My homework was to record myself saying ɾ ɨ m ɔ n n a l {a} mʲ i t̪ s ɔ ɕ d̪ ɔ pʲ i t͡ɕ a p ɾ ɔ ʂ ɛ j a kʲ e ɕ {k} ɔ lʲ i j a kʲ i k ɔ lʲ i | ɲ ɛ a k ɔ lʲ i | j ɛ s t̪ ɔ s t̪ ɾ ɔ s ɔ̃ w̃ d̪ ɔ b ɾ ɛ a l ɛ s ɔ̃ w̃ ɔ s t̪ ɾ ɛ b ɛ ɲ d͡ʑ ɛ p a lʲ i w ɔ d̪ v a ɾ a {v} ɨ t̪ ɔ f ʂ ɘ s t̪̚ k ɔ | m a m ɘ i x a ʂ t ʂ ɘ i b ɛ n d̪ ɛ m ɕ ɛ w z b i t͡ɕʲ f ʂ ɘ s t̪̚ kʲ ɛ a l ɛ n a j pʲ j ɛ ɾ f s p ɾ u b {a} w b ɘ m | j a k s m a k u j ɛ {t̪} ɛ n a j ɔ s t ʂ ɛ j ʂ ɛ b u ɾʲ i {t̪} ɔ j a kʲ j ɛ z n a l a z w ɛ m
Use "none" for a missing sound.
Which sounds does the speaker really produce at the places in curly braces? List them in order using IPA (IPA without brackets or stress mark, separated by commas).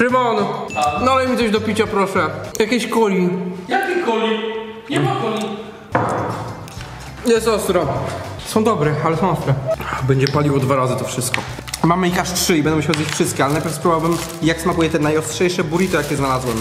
ɛ, k, z, a, t̪, t̪